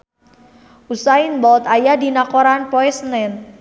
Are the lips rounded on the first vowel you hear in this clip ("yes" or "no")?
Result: yes